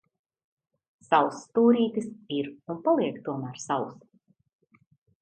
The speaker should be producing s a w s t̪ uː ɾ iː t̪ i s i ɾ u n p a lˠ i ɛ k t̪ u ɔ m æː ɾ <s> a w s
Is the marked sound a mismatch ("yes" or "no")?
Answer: no